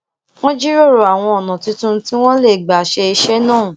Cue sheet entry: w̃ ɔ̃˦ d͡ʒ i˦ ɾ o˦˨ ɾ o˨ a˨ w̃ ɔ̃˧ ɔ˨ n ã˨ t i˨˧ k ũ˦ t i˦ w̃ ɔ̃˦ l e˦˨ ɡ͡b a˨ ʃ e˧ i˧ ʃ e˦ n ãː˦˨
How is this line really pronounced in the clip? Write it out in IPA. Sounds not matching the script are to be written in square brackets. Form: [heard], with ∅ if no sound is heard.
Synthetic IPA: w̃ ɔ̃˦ d͡ʒ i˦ ɾ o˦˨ ɾ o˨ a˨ w̃ ɔ̃˧ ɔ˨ n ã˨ t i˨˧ [t] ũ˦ t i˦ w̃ ɔ̃˦ l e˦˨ ɡ͡b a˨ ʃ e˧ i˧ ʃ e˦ n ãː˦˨